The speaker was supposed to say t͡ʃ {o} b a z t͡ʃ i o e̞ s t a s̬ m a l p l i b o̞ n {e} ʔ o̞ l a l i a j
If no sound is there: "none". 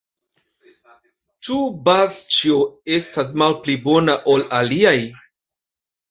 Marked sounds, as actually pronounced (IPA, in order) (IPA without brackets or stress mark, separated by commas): u, a